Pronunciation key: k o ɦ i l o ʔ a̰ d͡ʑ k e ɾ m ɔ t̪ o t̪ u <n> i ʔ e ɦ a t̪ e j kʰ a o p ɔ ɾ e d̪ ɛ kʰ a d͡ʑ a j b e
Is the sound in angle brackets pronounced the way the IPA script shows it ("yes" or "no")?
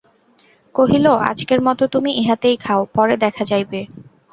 no